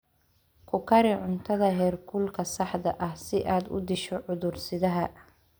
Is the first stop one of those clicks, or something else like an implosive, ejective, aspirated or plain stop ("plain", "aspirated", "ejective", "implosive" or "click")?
aspirated